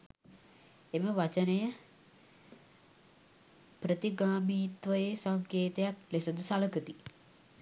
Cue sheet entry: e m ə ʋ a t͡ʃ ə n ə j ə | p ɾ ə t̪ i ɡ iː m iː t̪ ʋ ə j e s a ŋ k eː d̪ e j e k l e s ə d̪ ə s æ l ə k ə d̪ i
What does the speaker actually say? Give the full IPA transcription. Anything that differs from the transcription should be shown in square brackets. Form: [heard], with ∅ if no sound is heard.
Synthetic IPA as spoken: e m ə ʋ a t͡ʃ ə n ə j ə | p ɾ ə t̪ i ɡ [aː] m iː t̪ ʋ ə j e s a ŋ k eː [t̪] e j [a] k l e s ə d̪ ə s [a] l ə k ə [t̪] i